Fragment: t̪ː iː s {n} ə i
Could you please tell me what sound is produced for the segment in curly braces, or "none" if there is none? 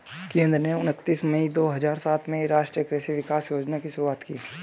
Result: m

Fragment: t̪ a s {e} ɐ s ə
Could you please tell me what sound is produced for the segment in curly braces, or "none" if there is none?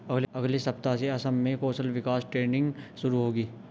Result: e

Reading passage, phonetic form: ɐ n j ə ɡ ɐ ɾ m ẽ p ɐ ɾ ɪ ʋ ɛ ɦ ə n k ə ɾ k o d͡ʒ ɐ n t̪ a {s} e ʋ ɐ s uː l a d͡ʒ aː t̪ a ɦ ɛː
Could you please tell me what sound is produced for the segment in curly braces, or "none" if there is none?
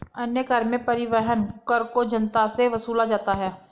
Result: s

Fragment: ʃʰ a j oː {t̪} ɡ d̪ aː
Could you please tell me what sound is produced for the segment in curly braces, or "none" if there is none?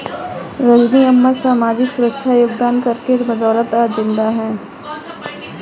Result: none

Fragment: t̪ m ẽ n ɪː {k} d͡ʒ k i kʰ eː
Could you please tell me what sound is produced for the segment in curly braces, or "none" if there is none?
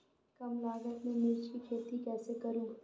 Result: none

